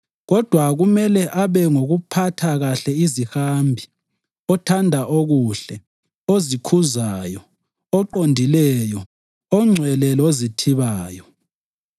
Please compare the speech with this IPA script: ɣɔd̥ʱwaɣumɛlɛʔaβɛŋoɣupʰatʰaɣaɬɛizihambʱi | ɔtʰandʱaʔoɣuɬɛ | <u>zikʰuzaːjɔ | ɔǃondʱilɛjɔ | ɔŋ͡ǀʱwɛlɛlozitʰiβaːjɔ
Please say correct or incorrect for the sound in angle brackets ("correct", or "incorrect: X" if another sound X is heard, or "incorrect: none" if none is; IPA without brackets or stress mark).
incorrect: o